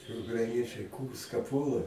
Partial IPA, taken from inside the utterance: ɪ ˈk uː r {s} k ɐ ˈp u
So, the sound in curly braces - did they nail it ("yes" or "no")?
yes